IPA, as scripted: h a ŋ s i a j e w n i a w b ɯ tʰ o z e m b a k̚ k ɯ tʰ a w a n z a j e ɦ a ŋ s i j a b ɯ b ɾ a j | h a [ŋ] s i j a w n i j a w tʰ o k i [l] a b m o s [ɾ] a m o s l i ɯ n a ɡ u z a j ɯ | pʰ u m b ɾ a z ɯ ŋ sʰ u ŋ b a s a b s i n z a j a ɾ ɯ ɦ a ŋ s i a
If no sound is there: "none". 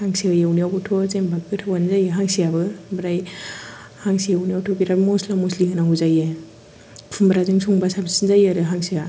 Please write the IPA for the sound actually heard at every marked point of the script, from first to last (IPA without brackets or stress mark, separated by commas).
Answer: ŋ, ɾ, l